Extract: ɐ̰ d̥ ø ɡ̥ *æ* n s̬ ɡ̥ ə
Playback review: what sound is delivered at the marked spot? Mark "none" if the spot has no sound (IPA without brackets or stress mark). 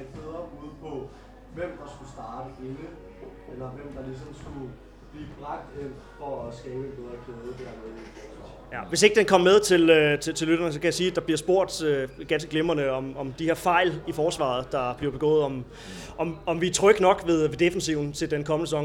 æ